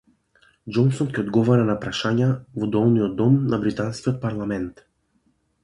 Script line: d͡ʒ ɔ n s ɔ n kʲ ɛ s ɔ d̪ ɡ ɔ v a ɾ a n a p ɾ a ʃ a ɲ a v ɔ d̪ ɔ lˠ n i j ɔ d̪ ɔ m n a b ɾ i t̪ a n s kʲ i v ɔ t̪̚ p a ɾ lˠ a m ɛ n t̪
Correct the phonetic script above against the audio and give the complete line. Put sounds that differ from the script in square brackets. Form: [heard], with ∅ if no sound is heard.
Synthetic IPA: d͡ʒ ɔ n s ɔ n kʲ ɛ [∅] ɔ d̪ ɡ ɔ v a ɾ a n a p ɾ a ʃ a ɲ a v ɔ d̪ ɔ lˠ n i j ɔ d̪ ɔ m n a b ɾ i t̪ a n s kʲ i [∅] ɔ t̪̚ p a ɾ lˠ a m ɛ n t̪